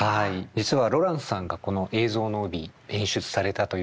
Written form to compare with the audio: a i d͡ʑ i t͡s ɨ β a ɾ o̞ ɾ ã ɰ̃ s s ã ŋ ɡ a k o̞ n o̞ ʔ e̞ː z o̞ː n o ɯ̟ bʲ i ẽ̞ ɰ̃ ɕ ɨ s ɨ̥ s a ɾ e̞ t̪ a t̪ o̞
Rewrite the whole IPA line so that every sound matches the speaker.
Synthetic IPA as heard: a i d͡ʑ i t͡s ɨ β a ɾ o̞ ɾ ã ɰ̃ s s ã ŋ ɡ a k o̞ n o̞ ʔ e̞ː z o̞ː n o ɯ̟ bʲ i ẽ̞ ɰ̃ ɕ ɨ t͡s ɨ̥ s a ɾ e̞ t̪ a t̪ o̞